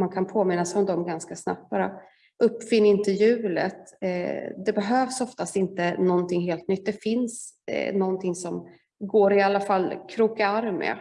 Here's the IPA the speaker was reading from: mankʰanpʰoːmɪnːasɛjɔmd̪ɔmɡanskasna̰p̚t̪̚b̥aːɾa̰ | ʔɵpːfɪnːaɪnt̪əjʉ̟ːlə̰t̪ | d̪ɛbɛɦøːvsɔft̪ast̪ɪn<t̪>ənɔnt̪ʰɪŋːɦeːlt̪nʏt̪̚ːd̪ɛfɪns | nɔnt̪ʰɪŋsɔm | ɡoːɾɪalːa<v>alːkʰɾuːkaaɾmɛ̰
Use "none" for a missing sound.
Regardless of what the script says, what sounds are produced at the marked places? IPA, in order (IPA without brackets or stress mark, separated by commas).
t̪, f